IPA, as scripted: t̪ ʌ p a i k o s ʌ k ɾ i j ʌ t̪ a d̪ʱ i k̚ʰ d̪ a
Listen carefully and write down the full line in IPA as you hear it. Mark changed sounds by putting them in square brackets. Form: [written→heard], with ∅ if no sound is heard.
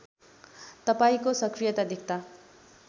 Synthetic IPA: t̪ ʌ p a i k o s ʌ k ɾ i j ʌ t̪ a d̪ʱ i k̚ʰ [d̪→t̪] a

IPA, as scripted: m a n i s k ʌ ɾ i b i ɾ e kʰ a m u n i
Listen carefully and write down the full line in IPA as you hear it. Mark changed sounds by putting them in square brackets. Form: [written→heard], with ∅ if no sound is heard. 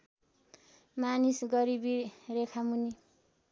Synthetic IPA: m a n i s [k→ɡ] ʌ ɾ i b i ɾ e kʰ a m u n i

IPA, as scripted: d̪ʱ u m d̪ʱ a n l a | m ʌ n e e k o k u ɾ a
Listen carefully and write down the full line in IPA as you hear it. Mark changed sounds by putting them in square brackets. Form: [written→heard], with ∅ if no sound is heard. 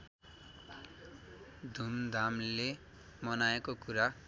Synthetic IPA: d̪ʱ u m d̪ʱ a [n→m] l [a→e] | m ʌ n [e→a] e k o k u ɾ a

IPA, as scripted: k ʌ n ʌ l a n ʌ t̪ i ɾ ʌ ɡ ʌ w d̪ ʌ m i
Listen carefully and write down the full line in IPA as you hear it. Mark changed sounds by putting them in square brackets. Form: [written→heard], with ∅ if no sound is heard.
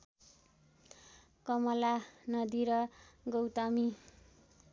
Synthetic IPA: k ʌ [n→m] ʌ l a n ʌ [t̪→d̪] i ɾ ʌ ɡ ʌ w [d̪→t̪] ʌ m i

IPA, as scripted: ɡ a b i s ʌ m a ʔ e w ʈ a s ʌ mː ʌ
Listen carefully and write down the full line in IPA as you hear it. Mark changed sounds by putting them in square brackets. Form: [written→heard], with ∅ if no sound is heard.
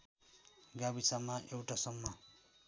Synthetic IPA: ɡ a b i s [ʌ→a] m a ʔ e w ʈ a s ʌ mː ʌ

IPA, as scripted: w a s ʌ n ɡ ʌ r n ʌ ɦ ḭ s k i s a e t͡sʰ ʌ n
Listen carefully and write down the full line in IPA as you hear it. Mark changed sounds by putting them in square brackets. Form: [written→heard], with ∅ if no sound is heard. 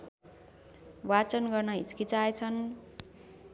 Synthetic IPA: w a [s→t͡s] ʌ n ɡ ʌ r n ʌ ɦ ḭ [s→t͡s] k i [s→t͡s] a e t͡sʰ ʌ n

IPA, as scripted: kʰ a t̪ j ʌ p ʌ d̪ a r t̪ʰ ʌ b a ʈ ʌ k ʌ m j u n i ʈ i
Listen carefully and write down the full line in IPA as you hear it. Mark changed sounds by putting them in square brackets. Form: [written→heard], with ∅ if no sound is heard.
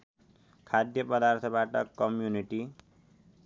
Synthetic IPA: kʰ a [t̪→d̪] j ʌ p ʌ d̪ a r t̪ʰ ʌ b a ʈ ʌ k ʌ m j u n i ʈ i

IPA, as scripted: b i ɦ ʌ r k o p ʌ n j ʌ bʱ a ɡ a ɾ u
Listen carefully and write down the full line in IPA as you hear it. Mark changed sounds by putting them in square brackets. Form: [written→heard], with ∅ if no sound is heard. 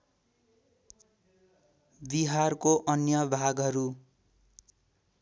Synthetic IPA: b i ɦ [ʌ→a] r k o [p→ʔ] ʌ n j ʌ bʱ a ɡ [a→ʌ] ɾ u

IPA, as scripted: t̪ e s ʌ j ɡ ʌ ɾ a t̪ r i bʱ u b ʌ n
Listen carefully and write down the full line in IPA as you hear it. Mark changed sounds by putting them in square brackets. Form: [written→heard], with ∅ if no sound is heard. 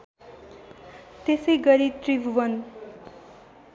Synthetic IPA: t̪ e s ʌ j ɡ ʌ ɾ [a→i] t̪ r i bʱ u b ʌ n

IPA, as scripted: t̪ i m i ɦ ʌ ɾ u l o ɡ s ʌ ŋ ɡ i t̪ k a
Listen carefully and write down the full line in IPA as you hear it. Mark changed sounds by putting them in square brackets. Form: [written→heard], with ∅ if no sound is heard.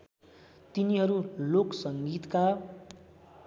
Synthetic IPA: t̪ i [m→n] i ɦ ʌ ɾ u l o [ɡ→k] s ʌ ŋ ɡ i t̪ k a

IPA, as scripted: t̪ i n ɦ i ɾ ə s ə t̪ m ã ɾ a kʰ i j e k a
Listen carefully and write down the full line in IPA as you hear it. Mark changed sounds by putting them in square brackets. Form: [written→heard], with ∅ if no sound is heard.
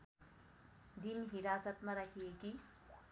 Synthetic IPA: [t̪→d̪] i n ɦ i ɾ [ə→a] s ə t̪ m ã ɾ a kʰ i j e k [a→i]

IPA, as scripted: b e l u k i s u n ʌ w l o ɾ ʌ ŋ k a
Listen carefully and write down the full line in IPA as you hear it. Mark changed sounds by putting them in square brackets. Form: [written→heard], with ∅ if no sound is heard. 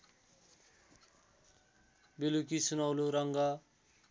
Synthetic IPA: b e l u k i s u n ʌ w l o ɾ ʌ ŋ [k→ɡ] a

